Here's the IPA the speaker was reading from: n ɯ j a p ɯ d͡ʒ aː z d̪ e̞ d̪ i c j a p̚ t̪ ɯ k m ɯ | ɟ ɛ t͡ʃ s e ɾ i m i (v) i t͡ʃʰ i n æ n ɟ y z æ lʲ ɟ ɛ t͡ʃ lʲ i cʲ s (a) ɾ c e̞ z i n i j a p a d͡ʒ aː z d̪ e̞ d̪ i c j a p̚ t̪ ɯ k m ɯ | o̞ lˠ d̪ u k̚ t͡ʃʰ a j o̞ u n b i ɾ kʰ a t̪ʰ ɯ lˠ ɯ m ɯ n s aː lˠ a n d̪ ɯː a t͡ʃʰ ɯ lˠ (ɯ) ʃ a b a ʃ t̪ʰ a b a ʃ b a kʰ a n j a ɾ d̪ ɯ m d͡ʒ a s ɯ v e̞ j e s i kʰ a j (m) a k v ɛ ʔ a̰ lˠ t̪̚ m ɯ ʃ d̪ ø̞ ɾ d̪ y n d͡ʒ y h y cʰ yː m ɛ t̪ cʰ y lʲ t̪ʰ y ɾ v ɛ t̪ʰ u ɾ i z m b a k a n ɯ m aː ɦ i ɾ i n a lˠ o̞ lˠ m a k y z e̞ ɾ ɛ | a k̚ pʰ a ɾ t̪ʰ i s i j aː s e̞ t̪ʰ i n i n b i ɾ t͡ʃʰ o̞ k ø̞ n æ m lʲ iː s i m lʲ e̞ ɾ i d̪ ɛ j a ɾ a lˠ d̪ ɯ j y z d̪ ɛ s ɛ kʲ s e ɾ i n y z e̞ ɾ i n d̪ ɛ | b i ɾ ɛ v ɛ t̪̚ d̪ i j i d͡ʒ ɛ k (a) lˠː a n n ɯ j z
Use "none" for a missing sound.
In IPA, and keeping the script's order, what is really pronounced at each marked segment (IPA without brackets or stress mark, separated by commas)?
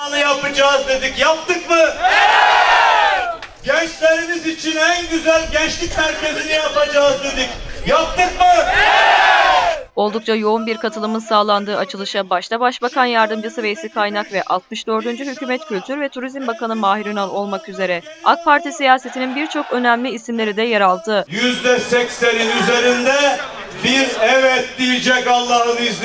z, æ, ɯ, n, a